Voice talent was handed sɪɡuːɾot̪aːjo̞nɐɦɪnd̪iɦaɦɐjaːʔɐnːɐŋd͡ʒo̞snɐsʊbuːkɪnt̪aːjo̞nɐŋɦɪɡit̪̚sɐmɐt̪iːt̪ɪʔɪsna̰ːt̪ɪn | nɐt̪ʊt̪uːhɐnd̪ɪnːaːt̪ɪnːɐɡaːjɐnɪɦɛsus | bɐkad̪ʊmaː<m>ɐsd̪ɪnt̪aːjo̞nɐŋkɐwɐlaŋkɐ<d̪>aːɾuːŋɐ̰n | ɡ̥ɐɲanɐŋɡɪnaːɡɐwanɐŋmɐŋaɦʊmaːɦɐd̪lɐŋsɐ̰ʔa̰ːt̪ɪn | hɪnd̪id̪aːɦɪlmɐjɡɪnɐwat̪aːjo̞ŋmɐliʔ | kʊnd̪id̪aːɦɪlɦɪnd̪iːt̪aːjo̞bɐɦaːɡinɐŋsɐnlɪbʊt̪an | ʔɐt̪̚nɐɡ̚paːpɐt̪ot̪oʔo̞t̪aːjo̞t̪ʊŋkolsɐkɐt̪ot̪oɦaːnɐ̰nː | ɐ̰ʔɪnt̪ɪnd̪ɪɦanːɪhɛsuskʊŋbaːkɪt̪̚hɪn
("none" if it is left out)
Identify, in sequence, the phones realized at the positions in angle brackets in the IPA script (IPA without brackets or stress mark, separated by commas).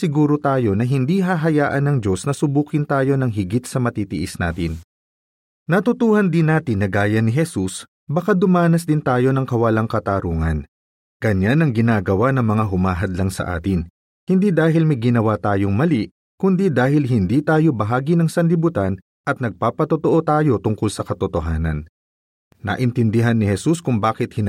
n, t̪